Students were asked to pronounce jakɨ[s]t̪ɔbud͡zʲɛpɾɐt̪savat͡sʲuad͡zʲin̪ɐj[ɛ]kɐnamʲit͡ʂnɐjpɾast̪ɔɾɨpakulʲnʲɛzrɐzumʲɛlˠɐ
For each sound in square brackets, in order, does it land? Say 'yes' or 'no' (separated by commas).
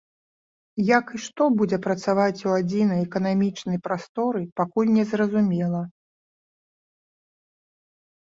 no, yes